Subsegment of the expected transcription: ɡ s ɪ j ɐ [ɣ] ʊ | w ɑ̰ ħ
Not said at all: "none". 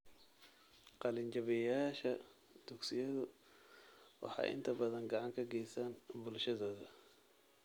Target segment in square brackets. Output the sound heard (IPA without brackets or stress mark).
ð